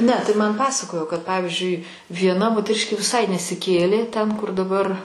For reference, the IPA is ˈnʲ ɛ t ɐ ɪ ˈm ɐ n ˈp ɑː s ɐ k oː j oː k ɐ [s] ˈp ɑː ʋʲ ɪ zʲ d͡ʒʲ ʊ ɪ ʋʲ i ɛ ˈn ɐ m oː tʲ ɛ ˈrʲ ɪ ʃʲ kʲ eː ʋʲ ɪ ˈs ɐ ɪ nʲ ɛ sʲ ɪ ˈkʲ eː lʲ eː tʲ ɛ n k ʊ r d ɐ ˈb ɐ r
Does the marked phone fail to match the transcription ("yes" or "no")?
yes